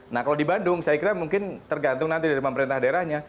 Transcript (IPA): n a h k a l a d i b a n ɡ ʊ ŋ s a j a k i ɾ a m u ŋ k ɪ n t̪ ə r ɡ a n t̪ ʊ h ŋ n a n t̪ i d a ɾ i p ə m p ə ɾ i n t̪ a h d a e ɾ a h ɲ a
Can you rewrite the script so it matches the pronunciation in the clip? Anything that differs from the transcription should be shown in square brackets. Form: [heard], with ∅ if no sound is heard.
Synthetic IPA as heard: n a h k a l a d i b a n [d] ʊ ŋ s a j a k i ɾ a m u ŋ k ɪ n t̪ ə r ɡ a n t̪ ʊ [∅] ŋ n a n t̪ i d a ɾ i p ə m p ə ɾ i n t̪ a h d a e ɾ a h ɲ a